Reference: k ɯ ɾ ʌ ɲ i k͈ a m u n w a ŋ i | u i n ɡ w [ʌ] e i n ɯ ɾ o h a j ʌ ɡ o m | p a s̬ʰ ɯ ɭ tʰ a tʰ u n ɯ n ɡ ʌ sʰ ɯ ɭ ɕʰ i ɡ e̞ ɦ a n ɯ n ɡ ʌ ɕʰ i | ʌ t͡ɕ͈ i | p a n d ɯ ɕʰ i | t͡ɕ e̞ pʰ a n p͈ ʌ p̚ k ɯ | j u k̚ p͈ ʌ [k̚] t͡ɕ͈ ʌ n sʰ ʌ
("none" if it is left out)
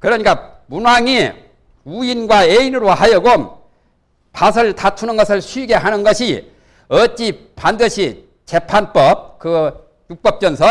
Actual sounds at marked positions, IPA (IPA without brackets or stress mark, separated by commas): a, p̚